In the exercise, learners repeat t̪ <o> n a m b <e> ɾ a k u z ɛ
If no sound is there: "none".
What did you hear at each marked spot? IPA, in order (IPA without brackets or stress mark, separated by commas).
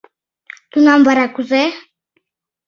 u, a